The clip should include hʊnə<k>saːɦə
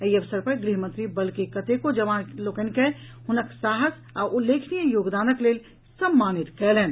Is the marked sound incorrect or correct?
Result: correct